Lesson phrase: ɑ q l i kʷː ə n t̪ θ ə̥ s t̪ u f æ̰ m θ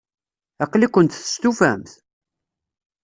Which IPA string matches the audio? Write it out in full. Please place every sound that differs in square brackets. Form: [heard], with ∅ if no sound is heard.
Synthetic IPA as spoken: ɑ q l i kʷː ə n t̪ θ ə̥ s t̪ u f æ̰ m θ